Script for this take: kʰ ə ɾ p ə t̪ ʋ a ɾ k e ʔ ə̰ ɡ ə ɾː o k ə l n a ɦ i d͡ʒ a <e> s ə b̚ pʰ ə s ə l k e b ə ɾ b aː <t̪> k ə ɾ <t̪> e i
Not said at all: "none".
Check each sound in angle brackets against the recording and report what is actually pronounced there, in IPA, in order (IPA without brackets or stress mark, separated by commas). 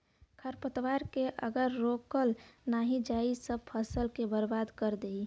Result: i, d̪, d̪